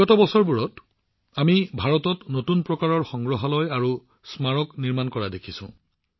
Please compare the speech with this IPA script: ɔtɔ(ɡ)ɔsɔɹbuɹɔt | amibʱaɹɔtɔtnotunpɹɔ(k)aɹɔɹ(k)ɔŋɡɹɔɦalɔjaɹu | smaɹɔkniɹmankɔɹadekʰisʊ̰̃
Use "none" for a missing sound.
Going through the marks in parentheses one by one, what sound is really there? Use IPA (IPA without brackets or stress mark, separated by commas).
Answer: b, k, x